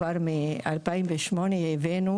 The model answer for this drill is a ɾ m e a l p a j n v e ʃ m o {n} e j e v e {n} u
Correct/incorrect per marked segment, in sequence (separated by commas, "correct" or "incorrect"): correct, correct